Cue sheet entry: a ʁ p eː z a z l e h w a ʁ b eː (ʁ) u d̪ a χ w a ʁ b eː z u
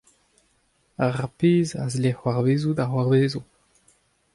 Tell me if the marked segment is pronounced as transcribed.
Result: no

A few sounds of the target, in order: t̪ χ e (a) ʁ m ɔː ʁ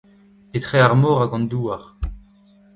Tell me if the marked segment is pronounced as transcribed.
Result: yes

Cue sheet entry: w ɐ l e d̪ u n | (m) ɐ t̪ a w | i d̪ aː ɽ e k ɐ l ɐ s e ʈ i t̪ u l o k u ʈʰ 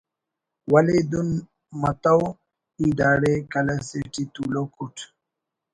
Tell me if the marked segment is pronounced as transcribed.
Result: yes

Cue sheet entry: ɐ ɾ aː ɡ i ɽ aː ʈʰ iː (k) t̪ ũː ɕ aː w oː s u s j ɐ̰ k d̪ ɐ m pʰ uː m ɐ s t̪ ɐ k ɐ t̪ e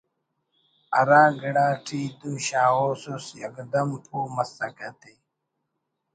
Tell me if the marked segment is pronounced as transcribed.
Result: no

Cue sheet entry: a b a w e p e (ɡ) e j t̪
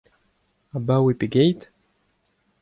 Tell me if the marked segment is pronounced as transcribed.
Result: yes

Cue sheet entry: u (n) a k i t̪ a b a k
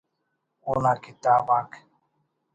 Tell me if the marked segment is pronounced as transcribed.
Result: yes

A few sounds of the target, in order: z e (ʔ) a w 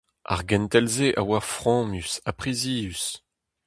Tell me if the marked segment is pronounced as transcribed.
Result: yes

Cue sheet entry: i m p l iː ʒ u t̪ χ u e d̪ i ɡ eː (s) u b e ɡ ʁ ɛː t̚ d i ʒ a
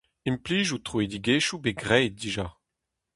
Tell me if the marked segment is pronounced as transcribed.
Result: no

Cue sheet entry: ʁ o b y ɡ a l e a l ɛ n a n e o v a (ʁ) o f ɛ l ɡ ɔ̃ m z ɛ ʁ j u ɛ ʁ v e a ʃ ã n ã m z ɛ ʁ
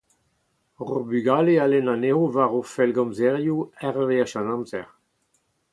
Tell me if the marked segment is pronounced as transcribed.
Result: yes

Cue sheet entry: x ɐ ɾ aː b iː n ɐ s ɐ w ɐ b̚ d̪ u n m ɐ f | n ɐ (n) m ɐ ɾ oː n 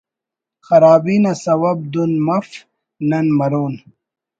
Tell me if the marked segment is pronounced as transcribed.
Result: yes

